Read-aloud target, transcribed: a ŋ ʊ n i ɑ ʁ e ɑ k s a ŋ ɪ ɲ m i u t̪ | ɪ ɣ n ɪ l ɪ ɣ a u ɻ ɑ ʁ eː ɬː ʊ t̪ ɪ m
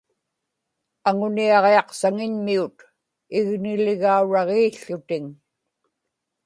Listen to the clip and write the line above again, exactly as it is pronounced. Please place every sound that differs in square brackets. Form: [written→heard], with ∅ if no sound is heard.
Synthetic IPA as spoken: a ŋ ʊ n i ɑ ʁ e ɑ [k→q] s a ŋ ɪ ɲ m i u t̪ | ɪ ɣ n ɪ l ɪ ɣ a u ɻ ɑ ʁ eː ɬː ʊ t̪ ɪ [m→ŋ]

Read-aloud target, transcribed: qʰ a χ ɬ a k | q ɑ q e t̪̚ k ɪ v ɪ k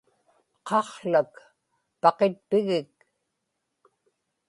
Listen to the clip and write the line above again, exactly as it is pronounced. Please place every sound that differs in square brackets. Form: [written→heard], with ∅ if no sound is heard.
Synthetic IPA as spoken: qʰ [a→ɑ] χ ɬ a k | [q→p] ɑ q e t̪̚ [k→p] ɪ [v→ɣ] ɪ k

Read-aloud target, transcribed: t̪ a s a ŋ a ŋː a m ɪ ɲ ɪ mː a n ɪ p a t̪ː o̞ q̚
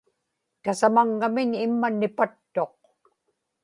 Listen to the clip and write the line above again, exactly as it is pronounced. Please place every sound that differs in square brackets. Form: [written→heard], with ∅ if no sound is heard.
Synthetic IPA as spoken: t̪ a s a [ŋ→m] a ŋː a m ɪ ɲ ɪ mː a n ɪ p a t̪ː o̞ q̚

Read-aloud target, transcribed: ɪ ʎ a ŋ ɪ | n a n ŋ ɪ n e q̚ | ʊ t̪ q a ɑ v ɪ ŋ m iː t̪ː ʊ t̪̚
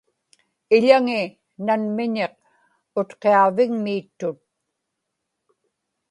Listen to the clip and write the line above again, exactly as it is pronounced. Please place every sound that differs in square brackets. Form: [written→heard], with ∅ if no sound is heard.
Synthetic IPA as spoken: ɪ ʎ a ŋ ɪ | n a n [ŋ→m] ɪ [n→ɲ] e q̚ | ʊ t̪ q [a→e] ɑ v ɪ ŋ m iː t̪ː ʊ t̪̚

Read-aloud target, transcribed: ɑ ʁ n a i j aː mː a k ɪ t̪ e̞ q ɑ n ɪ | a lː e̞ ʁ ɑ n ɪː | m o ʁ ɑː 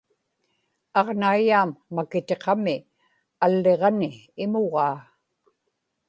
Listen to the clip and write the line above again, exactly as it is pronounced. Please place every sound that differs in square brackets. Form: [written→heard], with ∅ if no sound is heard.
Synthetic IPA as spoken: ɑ ʁ n a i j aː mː a k ɪ t̪ e̞ q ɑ [n→m] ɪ | a lː e̞ ʁ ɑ n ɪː | m o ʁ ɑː

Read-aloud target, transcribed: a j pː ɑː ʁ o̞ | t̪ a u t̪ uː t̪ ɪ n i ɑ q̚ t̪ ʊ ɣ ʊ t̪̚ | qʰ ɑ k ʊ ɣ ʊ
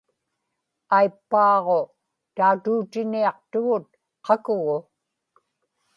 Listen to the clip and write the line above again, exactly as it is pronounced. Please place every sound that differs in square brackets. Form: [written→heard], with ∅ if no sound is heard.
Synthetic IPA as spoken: a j pː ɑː ʁ o̞ | t̪ a u t̪ uː t̪ ɪ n i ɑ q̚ t̪ ʊ ɣ ʊ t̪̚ | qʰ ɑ k ʊ ɣ ʊ

